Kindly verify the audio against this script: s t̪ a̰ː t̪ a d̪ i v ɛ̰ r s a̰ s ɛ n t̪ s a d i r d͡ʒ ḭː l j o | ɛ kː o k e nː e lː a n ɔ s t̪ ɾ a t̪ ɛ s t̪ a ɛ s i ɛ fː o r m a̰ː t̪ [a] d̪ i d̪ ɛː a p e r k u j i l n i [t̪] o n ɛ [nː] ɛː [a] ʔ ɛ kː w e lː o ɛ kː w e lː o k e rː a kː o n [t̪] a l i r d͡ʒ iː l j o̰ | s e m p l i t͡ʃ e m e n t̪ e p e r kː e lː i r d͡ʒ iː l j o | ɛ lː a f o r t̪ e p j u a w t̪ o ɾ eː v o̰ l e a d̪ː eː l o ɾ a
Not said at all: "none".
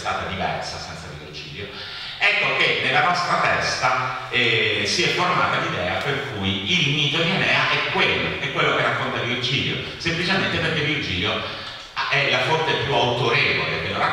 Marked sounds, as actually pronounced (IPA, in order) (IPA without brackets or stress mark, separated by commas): a, t̪, n, a, t̪